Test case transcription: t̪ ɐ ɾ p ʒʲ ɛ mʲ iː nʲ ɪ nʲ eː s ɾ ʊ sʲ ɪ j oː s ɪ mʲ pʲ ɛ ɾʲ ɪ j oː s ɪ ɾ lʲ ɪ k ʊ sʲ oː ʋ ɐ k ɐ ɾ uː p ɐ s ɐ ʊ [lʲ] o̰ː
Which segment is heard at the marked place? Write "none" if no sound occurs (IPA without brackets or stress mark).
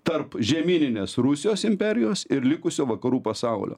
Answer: lʲ